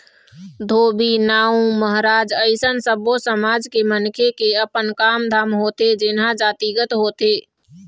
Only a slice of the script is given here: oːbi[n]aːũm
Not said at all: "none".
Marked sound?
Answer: n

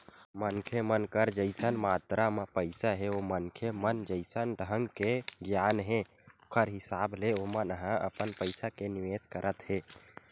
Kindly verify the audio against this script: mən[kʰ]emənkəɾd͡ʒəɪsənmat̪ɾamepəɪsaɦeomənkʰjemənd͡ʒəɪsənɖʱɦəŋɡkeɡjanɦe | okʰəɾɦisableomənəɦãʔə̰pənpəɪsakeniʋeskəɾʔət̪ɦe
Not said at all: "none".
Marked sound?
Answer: kʰ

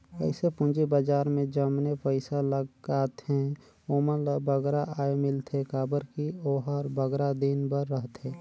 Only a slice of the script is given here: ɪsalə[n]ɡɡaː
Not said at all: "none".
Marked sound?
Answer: none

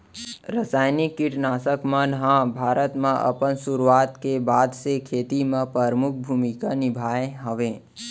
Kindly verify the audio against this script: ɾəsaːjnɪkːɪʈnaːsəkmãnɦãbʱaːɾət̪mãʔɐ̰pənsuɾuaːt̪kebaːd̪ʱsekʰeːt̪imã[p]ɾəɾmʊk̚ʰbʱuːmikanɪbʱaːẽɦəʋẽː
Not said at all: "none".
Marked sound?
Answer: p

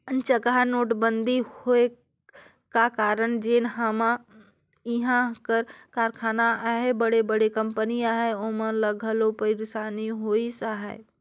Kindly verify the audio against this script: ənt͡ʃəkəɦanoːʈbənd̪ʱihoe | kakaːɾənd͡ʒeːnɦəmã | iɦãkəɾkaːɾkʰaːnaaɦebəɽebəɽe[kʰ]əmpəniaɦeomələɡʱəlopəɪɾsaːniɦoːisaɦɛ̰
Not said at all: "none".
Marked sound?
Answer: k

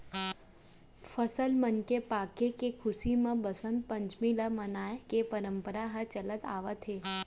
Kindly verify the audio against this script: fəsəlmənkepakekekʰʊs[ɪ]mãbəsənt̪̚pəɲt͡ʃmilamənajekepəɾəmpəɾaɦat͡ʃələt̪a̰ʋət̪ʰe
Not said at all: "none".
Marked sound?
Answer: i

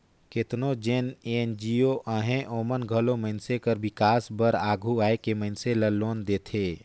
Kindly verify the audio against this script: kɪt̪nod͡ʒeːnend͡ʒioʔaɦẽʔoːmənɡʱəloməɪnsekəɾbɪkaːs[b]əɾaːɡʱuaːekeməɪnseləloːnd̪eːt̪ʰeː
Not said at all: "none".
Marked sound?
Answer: b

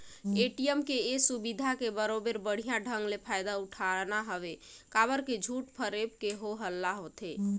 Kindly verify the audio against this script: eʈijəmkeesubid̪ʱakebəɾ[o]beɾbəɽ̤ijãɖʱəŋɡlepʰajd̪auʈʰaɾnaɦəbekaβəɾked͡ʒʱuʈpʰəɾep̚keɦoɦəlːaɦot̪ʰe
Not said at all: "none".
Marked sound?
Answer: o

